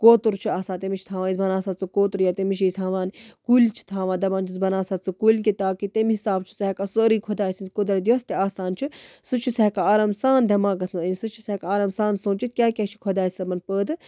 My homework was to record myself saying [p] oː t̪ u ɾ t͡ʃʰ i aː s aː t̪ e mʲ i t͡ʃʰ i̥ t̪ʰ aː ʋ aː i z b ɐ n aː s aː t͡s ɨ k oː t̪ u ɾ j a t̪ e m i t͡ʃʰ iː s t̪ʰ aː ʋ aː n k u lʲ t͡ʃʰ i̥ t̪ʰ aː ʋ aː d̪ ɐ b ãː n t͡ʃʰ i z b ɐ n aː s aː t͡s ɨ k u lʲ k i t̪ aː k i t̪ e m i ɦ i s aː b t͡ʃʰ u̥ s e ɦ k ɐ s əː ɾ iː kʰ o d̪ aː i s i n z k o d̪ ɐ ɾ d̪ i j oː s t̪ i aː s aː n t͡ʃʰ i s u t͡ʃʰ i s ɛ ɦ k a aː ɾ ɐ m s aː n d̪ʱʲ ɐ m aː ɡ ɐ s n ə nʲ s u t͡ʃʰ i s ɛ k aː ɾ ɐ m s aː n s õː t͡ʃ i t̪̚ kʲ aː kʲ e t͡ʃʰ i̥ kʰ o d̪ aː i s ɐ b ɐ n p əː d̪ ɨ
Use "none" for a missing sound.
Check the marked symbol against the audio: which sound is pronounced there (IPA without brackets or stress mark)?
k